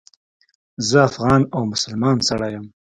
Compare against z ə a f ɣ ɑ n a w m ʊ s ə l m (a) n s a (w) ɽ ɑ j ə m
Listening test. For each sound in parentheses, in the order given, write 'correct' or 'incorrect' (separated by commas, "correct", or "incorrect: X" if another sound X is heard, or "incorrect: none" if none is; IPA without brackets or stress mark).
incorrect: ɑ, incorrect: none